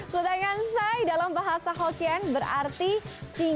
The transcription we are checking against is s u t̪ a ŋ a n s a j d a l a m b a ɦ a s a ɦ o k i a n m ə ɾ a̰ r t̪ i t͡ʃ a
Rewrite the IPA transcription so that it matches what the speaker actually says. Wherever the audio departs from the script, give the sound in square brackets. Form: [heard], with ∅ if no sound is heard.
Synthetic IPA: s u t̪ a ŋ a n s a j d a l a m b a ɦ a s a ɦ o k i a n [b] ə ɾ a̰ r t̪ i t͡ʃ [i]